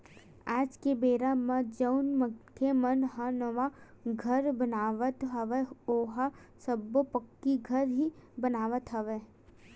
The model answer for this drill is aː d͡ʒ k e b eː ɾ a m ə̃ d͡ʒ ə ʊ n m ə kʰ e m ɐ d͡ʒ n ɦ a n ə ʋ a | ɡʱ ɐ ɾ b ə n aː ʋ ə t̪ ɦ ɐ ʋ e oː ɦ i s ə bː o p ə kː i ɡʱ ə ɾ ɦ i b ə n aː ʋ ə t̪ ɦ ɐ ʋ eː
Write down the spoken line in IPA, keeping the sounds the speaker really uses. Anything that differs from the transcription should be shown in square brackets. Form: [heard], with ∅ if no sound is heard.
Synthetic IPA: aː d͡ʒ k e b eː ɾ a m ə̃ d͡ʒ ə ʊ n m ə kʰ e m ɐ [∅] n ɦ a n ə ʋ a | ɡʱ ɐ ɾ b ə n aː ʋ ə t̪ ɦ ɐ ʋ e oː ɦ [a] s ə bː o p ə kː i ɡʱ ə ɾ ɦ i b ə n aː ʋ ə t̪ ɦ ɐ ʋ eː